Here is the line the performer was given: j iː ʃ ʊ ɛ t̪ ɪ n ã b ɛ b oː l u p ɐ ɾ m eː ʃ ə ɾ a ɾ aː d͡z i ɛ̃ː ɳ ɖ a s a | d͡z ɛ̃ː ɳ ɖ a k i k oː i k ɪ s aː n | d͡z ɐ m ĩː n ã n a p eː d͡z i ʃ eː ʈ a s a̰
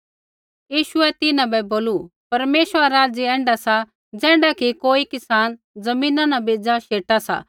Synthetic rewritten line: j iː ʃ ʊ ɛ t̪ ɪ n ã b ɛ b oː l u p ɐ ɾ m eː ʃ ə ɾ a ɾ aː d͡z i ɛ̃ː ɳ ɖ a s a | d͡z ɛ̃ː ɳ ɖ a k i k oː i k ɪ s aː n | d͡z ɐ m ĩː n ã n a b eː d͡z a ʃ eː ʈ a s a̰